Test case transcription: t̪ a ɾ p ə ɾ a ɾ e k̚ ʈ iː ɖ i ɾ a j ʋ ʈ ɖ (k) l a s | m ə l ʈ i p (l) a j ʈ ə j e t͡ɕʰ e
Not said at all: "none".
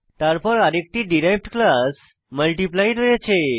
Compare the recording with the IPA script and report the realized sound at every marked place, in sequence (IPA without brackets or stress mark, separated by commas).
k, l